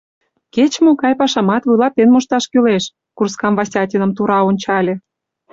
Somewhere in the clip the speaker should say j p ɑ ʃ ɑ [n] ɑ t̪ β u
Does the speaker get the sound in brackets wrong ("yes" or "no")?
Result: yes